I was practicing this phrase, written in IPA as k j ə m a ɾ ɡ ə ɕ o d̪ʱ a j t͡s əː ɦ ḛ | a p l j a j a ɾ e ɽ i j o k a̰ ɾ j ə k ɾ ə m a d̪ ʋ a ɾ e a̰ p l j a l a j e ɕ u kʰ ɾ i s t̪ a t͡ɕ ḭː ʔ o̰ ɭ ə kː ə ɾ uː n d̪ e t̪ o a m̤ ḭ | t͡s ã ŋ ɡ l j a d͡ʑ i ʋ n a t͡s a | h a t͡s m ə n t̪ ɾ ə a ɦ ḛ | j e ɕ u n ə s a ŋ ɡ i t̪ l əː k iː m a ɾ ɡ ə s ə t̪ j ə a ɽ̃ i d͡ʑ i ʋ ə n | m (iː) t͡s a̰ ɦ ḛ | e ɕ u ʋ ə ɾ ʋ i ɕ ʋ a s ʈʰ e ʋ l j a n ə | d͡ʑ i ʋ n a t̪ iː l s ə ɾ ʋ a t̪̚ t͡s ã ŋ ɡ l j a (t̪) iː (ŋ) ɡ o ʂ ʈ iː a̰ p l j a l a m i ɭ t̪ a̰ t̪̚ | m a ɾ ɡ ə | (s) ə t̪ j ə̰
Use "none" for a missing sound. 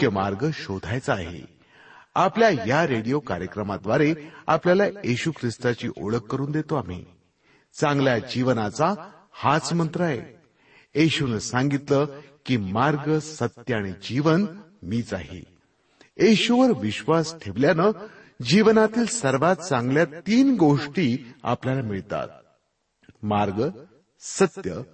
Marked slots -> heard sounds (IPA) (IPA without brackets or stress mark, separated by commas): iː, t̪, n, s